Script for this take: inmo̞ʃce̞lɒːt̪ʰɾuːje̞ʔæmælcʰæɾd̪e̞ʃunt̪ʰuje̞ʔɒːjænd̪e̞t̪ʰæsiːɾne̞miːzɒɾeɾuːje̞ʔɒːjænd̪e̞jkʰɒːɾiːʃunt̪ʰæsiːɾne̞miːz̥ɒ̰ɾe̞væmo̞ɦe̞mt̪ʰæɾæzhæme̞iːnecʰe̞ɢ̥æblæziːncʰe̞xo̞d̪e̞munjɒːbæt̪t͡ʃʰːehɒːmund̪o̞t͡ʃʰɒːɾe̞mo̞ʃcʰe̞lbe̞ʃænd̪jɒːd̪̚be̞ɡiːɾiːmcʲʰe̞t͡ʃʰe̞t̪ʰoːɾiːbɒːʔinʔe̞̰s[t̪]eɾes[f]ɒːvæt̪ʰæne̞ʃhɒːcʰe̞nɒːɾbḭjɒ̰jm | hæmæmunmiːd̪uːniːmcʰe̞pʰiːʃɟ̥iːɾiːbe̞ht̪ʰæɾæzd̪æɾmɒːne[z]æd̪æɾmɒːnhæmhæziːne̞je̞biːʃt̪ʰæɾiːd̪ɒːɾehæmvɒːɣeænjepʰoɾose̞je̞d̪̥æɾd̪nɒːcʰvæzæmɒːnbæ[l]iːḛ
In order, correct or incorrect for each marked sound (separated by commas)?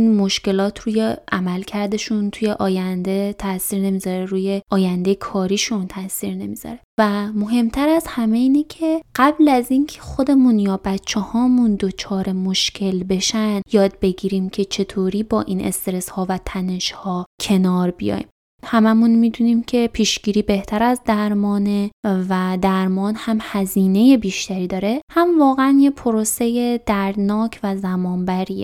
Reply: correct, incorrect, incorrect, incorrect